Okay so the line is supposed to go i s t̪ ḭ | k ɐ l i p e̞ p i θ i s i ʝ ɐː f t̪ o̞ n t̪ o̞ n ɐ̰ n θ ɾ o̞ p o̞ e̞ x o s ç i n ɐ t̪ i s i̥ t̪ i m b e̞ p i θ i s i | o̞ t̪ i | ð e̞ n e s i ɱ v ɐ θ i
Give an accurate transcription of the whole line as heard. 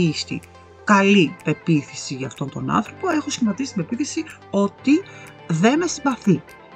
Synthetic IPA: i s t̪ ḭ | k ɐ l i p e̞ p i θ i s i ʝ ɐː f t̪ o̞ n t̪ o̞ n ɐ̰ n θ ɾ o̞ p o̞ e̞ x o s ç i m ɐ t̪ i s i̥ t̪ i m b e̞ p i θ i s i | o̞ t̪ i | ð e̞ n e s i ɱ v ɐ θ i